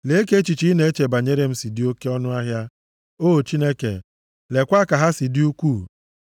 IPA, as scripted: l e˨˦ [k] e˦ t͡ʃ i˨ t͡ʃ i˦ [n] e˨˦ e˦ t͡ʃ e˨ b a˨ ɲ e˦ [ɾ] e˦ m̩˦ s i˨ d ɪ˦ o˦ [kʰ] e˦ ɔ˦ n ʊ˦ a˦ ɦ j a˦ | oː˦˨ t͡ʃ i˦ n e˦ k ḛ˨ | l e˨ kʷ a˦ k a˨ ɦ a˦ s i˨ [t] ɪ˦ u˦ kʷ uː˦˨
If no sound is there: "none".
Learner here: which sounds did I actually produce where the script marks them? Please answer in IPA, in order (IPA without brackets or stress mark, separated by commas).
k, n, ɾ, k, d